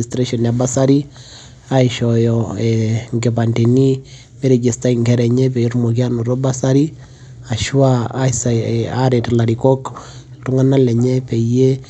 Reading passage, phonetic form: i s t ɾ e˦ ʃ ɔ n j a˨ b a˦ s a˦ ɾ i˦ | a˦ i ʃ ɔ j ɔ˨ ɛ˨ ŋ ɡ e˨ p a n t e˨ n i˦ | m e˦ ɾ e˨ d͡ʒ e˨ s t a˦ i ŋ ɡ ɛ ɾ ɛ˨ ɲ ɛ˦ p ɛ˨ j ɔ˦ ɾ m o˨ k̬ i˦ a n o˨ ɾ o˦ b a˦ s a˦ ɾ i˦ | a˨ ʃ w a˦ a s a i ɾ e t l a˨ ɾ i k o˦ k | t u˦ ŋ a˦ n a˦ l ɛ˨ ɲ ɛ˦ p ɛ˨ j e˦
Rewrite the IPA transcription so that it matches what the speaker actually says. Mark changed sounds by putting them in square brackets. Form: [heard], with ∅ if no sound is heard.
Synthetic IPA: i s t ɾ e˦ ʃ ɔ n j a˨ b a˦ s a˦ ɾ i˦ | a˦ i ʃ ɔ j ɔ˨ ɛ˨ ŋ ɡ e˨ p a n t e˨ n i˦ | m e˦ ɾ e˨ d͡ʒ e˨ s t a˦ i ŋ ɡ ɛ ɾ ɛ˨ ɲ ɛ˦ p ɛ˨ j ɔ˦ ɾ m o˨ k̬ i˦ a n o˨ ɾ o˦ b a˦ s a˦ ɾ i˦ | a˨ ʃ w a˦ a s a [a] ɾ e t l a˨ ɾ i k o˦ k | t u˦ ŋ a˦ n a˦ l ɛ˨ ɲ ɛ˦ p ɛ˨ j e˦